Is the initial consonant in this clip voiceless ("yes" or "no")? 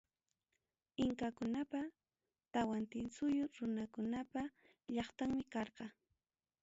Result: no